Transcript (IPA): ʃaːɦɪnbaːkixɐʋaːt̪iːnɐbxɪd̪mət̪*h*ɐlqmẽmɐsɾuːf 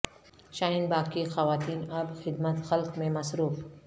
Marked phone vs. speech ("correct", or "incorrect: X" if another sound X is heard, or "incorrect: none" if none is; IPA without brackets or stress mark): incorrect: x